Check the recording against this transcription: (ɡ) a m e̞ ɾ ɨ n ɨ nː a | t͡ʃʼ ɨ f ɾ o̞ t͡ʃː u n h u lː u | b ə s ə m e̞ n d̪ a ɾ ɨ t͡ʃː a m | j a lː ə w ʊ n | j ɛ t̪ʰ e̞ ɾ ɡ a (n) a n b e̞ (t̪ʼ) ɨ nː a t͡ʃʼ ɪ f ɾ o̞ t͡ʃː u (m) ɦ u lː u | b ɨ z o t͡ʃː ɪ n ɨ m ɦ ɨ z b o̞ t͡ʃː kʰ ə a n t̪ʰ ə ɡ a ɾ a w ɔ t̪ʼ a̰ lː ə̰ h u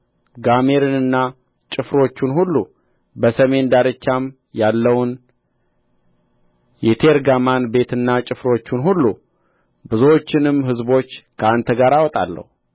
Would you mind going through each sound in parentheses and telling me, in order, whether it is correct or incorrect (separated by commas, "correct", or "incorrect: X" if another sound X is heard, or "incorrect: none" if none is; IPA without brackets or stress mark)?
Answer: correct, incorrect: m, incorrect: t̪, incorrect: n